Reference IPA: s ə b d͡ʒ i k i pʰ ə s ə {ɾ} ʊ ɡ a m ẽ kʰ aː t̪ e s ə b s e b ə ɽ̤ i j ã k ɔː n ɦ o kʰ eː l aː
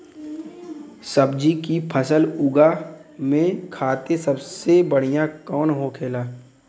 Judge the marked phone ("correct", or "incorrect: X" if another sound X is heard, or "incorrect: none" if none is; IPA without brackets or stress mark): incorrect: l